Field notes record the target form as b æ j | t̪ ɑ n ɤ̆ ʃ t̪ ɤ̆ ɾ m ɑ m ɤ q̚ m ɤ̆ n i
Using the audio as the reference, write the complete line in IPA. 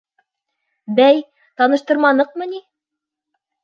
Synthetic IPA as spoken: b æ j | t̪ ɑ n ɤ̆ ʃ t̪ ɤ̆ ɾ m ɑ n ɤ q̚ m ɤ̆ n i